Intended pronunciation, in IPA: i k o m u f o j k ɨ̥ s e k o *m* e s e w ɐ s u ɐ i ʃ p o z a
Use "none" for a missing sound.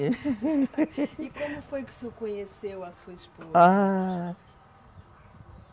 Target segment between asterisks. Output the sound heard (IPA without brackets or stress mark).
ɲ